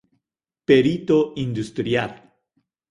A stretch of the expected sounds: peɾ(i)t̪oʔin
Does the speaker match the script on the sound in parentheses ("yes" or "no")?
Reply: yes